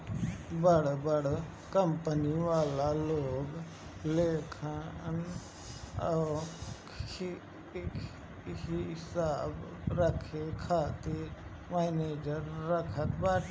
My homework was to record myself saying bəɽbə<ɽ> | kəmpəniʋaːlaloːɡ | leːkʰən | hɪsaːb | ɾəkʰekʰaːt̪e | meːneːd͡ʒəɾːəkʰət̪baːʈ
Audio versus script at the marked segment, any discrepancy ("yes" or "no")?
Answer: no